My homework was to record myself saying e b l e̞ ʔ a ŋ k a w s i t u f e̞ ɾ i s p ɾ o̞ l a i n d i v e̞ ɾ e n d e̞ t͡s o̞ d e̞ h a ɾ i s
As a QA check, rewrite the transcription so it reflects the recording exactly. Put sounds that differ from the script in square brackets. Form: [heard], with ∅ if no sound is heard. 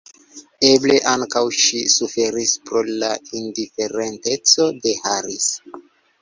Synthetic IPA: e b l e̞ ʔ a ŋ k a w [ʃ] i [s] u f e̞ ɾ i s p ɾ o̞ l a i n d i [f] e̞ ɾ e n [t] e̞ t͡s o̞ d e̞ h a ɾ i s